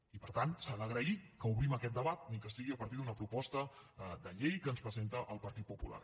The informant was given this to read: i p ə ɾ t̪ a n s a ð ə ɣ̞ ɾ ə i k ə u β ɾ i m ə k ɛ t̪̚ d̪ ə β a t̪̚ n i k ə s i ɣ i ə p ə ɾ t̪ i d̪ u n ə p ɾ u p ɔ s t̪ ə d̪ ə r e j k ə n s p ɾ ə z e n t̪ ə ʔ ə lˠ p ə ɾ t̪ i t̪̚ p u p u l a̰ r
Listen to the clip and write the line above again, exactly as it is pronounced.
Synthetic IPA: i p ə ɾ t̪ a n s a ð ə ɣ̞ ɾ ə i k ə u β ɾ i m ə k ɛ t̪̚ d̪ ə β a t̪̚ n i k ə s i ɣ i ə p ə ɾ t̪ i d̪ u n ə p ɾ u p ɔ s t̪ ə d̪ ə ʎ e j k ə n s p ɾ ə z e n t̪ ə ʔ ə lˠ p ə ɾ t̪ i t̪̚ p u p u l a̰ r